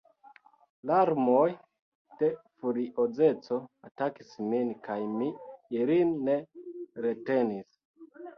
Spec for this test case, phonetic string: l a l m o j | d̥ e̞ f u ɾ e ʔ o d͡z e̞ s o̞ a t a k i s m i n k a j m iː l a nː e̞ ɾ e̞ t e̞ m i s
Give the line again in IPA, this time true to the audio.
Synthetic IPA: l a ɾ m o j | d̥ e̞ f u ɾ i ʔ o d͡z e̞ t͡s o̞ a t a k i s m i n k a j m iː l i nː e̞ ɾ e̞ t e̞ n i s